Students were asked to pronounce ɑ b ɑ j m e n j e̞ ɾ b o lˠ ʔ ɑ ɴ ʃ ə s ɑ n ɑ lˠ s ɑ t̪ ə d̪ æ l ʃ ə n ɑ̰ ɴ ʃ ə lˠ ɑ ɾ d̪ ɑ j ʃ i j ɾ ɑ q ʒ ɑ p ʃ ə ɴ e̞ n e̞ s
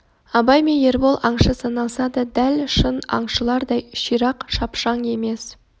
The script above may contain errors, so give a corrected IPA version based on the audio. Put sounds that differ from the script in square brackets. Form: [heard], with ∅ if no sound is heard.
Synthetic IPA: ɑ b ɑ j m e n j e̞ ɾ b o lˠ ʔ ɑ ɴ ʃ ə s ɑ n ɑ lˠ s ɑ [d̪] ə d̪ æ l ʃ ə n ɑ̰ ɴ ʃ ə lˠ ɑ ɾ d̪ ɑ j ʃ i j ɾ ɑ q [ʃ] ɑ p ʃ [ɑ] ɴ e̞ [m] e̞ s